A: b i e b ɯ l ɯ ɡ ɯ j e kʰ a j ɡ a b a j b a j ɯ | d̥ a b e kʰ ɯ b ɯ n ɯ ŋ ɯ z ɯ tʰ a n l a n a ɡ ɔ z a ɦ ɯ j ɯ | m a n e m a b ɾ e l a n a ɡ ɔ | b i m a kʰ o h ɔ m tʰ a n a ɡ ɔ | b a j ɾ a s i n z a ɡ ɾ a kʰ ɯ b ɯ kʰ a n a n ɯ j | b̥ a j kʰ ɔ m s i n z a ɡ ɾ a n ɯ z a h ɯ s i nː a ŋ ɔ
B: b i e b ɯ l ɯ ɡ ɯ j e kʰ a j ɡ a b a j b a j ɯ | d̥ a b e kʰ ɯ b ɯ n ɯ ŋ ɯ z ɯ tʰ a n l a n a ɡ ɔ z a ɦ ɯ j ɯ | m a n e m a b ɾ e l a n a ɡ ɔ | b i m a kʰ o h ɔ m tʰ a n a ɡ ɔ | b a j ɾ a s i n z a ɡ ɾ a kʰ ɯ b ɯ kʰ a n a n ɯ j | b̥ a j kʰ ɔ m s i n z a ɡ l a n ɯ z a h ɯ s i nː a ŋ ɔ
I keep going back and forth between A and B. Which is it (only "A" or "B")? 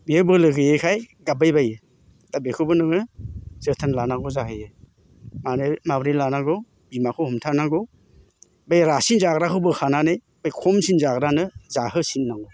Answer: A